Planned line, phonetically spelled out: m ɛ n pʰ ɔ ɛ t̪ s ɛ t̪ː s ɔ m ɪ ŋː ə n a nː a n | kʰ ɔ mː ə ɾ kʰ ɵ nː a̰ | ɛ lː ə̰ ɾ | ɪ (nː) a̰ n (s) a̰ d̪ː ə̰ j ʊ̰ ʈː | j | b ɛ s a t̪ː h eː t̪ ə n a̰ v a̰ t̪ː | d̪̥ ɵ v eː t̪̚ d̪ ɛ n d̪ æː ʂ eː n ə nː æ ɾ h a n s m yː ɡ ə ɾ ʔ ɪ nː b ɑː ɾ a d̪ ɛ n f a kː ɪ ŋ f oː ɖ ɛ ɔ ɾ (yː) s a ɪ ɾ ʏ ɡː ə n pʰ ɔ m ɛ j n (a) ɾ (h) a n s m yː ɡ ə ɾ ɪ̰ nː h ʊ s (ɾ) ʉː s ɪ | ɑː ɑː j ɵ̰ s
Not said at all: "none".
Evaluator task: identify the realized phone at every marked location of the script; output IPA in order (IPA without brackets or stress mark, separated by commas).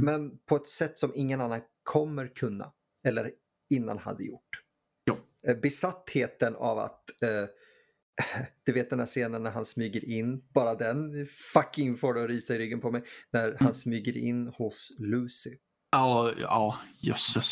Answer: nː, h, iː, æ, h, l